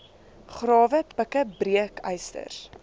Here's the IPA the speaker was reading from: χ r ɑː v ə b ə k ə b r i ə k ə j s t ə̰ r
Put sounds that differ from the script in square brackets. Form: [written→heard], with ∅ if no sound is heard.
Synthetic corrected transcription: χ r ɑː v ə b ə k ə b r i ə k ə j s t ə̰ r